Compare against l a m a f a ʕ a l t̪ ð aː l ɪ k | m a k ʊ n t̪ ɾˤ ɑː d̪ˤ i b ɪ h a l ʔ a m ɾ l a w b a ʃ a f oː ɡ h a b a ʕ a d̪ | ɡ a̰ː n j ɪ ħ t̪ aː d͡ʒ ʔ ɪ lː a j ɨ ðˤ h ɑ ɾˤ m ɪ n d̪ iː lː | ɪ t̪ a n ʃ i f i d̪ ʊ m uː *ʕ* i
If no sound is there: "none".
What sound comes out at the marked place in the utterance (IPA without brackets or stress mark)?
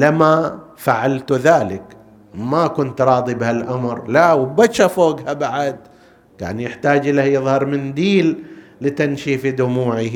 ʕ